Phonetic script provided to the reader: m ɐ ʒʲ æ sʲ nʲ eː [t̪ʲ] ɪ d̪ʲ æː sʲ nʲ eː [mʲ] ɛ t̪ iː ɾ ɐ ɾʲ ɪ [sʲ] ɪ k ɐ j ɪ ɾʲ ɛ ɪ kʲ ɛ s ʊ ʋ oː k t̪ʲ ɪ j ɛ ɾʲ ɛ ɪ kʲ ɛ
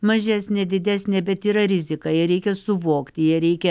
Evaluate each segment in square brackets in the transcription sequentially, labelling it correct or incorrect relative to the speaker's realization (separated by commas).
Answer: incorrect, incorrect, incorrect